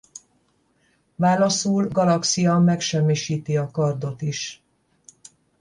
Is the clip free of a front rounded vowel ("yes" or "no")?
yes